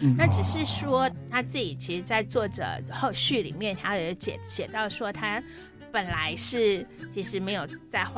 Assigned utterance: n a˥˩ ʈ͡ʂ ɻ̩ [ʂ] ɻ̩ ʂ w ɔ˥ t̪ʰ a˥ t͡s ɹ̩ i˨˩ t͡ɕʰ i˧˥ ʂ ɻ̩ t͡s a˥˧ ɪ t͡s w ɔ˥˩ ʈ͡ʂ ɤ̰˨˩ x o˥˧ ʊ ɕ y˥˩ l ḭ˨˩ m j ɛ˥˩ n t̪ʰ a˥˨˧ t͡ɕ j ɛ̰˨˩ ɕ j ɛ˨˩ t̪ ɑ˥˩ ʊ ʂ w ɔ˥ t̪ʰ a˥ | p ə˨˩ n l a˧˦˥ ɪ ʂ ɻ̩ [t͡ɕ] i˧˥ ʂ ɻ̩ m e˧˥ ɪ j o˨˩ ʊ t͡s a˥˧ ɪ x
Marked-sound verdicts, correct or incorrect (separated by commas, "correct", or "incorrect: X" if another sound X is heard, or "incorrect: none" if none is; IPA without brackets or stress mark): correct, incorrect: t͡ɕʰ